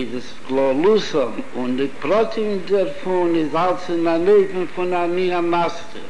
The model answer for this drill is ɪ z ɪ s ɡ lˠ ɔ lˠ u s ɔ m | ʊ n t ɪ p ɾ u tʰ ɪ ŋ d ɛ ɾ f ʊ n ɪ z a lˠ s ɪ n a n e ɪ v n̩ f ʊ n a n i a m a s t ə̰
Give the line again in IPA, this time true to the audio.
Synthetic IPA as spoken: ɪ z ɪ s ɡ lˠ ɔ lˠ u s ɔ m | ʊ n d ɪ p ɾ ɔ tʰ ɪ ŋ d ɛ ɾ f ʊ n ɪ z a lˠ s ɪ n a n e ɪ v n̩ f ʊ n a n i a m a s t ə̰